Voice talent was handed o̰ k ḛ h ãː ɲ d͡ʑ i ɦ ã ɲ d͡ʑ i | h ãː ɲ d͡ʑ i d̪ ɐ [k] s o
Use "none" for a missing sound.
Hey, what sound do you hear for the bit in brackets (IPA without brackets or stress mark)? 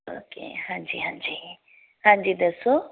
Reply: none